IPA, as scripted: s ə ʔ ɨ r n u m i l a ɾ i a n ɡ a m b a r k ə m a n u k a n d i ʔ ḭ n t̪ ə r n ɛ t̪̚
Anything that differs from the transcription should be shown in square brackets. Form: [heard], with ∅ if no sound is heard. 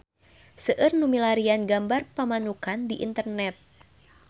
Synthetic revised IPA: s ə ʔ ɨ r n u m i l a ɾ i a n ɡ a m b a r [p] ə m a n u k a n d i ʔ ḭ n t̪ ə r n ɛ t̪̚